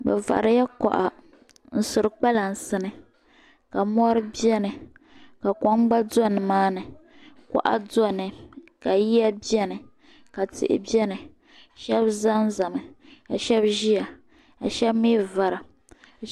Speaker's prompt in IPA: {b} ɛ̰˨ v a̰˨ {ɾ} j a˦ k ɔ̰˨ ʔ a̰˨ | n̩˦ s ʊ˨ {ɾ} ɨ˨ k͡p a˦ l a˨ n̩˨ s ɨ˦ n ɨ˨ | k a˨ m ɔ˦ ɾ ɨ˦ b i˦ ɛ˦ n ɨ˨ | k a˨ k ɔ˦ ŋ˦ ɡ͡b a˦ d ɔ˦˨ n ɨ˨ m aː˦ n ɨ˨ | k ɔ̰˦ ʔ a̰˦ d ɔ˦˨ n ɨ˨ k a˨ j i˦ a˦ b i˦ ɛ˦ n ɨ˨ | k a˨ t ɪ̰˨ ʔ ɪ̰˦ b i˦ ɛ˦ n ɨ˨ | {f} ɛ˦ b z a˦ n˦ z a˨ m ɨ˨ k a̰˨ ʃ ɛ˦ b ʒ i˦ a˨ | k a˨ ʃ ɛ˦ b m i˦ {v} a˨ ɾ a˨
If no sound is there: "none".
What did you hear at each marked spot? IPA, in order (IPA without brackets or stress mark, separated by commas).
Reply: b, ɾ, ɾ, ʃ, v